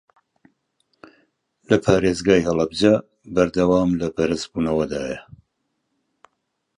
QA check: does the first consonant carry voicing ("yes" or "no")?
yes